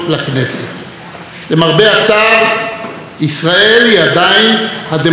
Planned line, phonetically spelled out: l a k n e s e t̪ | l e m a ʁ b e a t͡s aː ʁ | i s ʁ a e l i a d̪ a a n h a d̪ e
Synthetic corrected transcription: l a k n e s e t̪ | l e m a ʁ b e a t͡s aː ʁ | i s ʁ a e l i a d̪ a i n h a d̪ e